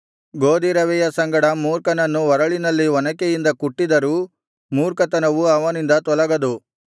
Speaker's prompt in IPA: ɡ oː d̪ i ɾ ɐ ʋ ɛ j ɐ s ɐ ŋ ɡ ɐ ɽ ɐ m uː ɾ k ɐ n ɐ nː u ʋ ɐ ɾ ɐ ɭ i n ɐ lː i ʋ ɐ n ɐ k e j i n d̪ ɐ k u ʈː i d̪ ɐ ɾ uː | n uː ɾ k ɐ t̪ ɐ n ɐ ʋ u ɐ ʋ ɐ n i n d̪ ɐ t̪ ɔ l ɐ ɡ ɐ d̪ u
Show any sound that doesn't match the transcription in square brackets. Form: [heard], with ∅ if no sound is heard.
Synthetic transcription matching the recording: ɡ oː d̪ i ɾ ɐ ʋ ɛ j ɐ s ɐ ŋ ɡ ɐ ɽ ɐ m uː ɾ k ɐ n ɐ nː u ʋ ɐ ɾ ɐ ɭ i n ɐ lː i ʋ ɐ n ɐ k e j i n d̪ ɐ k u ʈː i d̪ ɐ ɾ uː | [m] uː ɾ k ɐ t̪ ɐ n ɐ ʋ u ɐ ʋ ɐ n i n d̪ ɐ t̪ ɔ l ɐ ɡ ɐ d̪ u